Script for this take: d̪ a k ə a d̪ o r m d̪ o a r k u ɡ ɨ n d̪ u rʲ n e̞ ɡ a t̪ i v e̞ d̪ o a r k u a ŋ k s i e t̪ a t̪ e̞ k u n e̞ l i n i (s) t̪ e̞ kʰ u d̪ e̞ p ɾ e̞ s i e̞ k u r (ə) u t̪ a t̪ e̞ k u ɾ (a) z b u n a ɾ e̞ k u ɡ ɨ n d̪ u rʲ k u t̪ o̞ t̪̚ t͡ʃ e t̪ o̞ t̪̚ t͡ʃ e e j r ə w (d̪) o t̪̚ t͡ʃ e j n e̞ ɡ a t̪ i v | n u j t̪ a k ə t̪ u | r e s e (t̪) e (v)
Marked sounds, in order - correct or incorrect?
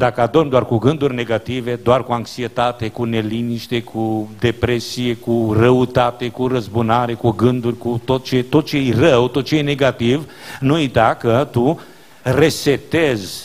incorrect: ʃ, correct, incorrect: ə, incorrect: t̪, correct, incorrect: z

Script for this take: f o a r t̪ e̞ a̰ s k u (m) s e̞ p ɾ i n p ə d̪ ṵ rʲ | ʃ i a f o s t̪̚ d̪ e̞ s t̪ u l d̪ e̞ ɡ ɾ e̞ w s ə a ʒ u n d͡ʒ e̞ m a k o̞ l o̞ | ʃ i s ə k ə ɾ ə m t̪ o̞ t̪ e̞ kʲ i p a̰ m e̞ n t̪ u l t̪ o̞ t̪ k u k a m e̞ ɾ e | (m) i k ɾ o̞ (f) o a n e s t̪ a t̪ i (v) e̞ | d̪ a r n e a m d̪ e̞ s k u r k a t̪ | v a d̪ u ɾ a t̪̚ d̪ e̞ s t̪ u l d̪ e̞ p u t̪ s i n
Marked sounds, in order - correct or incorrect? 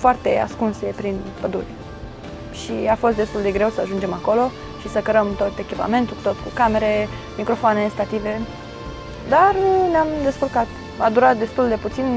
incorrect: n, correct, correct, correct

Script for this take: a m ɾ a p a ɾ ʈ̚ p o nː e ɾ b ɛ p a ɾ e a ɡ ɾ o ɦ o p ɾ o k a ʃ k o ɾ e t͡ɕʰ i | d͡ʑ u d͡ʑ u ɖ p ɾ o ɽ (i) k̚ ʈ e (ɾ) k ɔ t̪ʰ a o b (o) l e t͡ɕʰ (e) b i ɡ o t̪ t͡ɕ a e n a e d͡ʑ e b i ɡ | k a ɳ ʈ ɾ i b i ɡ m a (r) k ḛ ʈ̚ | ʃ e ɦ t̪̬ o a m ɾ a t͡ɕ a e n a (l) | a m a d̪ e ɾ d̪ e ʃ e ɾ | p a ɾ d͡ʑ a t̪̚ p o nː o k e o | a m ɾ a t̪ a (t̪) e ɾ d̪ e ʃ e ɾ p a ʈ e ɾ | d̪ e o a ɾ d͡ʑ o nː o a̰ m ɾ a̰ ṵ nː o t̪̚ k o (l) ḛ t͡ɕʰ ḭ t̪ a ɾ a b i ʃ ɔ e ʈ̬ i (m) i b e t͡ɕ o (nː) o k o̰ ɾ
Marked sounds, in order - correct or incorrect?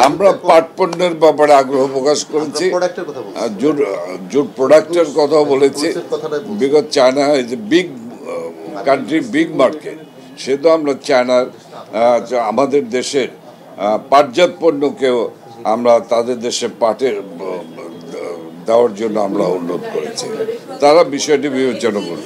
incorrect: a, correct, correct, incorrect: i, incorrect: ɾ, incorrect: ɾ, incorrect: d̪, incorrect: ɾ, incorrect: b, incorrect: n

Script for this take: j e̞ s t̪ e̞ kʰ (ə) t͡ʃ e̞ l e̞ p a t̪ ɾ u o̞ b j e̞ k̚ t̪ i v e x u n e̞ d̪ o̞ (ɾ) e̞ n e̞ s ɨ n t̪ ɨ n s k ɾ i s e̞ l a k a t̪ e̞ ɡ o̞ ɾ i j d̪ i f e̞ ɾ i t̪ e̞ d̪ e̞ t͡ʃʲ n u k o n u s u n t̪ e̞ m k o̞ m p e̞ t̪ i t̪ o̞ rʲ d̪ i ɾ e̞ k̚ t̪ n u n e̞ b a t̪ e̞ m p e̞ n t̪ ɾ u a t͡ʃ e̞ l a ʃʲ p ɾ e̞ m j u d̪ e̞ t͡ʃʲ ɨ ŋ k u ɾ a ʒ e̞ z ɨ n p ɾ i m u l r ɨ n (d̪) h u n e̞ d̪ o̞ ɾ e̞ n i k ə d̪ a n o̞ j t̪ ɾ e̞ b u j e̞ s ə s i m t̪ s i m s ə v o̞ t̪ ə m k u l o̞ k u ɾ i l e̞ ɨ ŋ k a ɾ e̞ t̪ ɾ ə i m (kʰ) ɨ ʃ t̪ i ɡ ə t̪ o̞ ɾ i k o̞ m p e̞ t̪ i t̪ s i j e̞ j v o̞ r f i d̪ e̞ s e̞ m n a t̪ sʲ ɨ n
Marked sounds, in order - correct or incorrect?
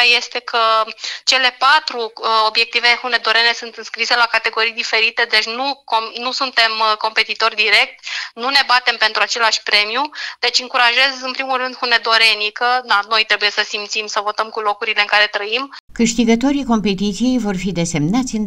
correct, correct, correct, incorrect: k

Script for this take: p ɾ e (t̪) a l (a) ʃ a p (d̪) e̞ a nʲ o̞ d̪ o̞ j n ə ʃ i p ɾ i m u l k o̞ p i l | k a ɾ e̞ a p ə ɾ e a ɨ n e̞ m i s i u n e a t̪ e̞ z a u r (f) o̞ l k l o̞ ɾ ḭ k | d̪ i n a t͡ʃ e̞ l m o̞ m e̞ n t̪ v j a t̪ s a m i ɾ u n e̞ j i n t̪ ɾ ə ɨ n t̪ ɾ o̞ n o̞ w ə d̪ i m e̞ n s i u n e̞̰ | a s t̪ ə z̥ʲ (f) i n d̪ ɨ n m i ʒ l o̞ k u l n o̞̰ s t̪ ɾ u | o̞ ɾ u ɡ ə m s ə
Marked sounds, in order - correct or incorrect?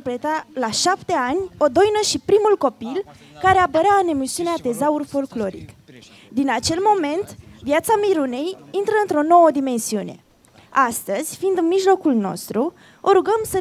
correct, correct, incorrect: t̪, correct, correct

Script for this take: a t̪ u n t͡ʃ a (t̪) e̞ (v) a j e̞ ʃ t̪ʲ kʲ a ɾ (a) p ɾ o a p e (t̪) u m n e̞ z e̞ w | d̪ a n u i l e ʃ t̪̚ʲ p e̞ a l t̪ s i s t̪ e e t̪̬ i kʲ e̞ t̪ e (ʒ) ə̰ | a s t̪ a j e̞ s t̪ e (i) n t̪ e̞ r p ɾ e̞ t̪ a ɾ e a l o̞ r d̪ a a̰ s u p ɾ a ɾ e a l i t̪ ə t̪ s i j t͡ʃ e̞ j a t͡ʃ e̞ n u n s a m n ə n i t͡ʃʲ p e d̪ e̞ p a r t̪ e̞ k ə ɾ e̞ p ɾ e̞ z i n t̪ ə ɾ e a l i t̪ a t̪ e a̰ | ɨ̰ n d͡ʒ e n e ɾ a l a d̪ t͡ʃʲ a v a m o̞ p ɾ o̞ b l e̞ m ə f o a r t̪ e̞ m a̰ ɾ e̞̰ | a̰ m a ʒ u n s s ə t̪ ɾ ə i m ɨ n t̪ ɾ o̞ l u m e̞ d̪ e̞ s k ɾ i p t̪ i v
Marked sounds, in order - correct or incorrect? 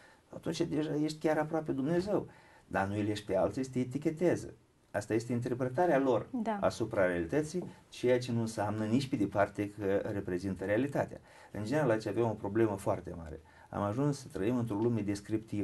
incorrect: d̪, incorrect: ʒ, correct, incorrect: d̪, incorrect: z, correct

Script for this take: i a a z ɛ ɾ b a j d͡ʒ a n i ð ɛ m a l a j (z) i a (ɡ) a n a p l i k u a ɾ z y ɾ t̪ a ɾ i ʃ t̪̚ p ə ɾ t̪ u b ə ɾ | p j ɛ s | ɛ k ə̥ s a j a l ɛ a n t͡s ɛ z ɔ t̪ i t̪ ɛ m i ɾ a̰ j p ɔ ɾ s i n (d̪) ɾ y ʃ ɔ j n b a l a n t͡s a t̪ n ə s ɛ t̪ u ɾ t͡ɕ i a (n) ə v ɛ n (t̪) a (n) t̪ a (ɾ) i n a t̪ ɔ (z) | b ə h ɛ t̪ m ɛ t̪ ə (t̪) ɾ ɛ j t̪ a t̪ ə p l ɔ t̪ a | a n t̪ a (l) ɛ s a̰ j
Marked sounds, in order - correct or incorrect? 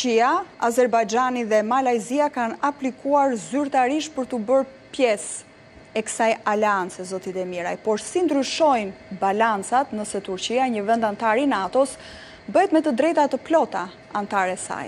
correct, incorrect: k, correct, incorrect: ɲ, incorrect: d̪, correct, correct, incorrect: s, incorrect: d̪, incorrect: ɾ

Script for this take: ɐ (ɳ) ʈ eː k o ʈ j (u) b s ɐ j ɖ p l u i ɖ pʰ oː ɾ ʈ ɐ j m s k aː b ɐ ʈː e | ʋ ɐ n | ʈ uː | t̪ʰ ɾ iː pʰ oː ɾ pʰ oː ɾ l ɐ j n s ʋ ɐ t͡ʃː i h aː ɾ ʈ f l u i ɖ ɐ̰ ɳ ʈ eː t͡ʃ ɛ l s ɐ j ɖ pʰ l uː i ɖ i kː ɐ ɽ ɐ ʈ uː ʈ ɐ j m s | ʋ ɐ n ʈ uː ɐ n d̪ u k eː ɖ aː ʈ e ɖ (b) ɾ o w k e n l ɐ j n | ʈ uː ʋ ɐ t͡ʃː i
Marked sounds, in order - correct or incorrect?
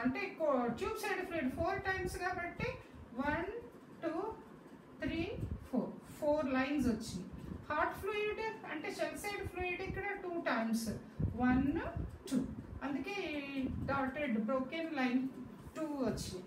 correct, incorrect: uː, correct

